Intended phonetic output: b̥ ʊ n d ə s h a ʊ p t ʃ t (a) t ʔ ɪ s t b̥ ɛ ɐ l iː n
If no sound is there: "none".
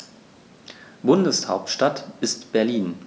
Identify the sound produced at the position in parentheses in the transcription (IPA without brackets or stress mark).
a